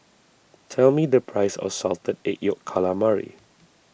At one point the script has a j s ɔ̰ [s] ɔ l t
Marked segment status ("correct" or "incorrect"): correct